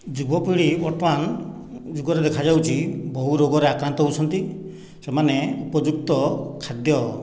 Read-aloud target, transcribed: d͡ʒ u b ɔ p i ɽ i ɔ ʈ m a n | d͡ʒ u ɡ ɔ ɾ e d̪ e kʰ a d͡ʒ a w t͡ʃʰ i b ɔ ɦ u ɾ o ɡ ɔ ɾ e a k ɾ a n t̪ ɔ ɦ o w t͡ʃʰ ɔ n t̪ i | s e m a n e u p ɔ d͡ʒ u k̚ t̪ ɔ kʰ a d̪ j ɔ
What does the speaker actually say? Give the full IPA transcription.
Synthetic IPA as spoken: d͡ʒ u b ɔ p i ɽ i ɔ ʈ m a n | d͡ʒ u ɡ ɔ ɾ e d̪ e kʰ a d͡ʒ a w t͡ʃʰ i b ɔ ɦ u ɾ o ɡ ɔ ɾ e a k ɾ a n t̪ ɔ ɦ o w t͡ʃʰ ɔ n t̪ i | s e m a n e u p ɔ d͡ʒ u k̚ t̪ ɔ kʰ a d̪ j ɔ